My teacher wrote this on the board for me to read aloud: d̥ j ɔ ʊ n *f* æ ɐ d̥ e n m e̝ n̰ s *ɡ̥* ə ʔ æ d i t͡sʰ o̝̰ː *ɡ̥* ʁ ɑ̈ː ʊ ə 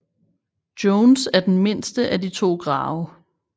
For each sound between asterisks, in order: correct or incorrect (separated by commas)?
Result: incorrect, incorrect, correct